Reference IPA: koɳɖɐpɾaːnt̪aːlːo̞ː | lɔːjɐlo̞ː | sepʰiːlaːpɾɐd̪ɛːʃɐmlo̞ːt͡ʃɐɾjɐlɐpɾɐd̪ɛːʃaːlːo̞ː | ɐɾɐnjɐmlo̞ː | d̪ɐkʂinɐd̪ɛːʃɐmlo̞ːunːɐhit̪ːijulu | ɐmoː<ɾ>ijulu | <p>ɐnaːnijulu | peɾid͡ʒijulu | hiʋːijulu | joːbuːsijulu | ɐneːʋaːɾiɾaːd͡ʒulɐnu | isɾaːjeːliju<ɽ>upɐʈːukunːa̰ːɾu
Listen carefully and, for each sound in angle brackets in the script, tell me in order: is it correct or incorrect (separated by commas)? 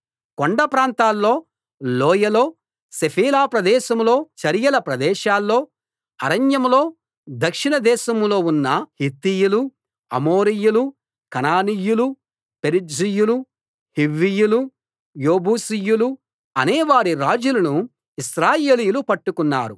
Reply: correct, incorrect, incorrect